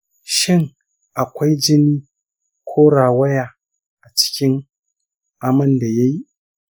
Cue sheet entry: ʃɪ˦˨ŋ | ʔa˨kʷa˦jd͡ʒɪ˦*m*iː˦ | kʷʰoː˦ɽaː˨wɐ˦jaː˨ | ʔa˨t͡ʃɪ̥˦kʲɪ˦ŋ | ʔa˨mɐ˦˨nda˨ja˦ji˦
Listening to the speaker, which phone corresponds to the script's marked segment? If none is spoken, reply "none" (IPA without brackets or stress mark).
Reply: n